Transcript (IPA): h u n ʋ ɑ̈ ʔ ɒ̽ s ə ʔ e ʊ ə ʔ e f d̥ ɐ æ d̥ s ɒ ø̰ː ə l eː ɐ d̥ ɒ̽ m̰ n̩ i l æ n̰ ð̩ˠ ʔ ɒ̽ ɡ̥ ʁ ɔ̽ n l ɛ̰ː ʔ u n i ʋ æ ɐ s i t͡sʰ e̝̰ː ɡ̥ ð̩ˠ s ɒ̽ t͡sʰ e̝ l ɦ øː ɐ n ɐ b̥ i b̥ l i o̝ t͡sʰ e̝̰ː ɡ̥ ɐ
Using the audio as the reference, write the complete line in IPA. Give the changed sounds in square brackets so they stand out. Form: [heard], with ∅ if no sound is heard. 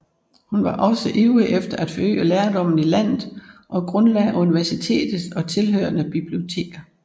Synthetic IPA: h u n ʋ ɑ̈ ʔ ɒ̽ s ə ʔ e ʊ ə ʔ e f d̥ ɐ æ d̥ [f] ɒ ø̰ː ə l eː ɐ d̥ ɒ̽ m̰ n̩ i l æ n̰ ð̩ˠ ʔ ɒ̽ ɡ̥ ʁ ɔ̽ n l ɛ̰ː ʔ u n i ʋ æ ɐ s i t͡sʰ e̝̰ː [d̥] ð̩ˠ s ɒ̽ t͡sʰ e̝ l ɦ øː ɐ n [ə] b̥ i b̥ l i o̝ t͡sʰ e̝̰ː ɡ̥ ɐ